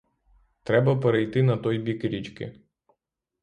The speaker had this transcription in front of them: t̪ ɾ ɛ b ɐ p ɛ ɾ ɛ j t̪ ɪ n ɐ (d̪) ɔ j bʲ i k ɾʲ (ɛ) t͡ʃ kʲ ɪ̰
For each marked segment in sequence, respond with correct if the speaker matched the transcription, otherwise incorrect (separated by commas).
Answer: incorrect, incorrect